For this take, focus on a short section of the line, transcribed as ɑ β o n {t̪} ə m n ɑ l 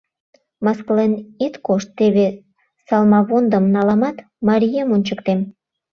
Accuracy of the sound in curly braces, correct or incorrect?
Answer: incorrect